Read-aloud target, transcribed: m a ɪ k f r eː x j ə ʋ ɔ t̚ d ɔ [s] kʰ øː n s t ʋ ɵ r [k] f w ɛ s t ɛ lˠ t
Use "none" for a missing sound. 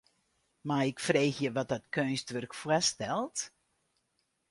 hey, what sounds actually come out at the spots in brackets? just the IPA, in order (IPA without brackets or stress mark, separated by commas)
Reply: t, k